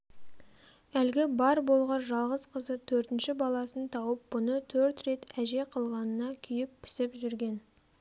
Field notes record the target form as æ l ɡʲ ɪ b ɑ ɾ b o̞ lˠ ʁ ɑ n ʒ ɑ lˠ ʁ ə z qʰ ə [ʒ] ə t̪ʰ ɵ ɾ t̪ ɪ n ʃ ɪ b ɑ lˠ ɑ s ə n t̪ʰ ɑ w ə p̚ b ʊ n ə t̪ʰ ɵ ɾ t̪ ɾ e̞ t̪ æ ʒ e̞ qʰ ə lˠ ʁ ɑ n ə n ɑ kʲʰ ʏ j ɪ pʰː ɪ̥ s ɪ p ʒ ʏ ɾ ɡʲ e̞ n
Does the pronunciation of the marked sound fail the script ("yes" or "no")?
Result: yes